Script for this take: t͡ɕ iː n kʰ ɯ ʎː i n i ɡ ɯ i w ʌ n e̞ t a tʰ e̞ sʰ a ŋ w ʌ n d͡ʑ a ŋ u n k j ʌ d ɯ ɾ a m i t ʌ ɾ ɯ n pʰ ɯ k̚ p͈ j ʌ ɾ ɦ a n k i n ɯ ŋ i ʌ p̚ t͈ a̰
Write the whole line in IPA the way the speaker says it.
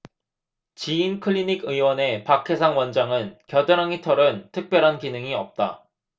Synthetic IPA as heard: t͡ɕ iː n kʰ ɯ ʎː i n i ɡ ɯ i w ʌ n e̞ p a kʰ e̞ sʰ a ŋ w ʌ n d͡ʑ a ŋ ɯ n k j ʌ d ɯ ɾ a ŋ i tʰ ʌ ɾ ɯ n tʰ ɯ k̚ p͈ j ʌ ɾ ɦ a n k i n ɯ ŋ i ʌ p̚ t͈ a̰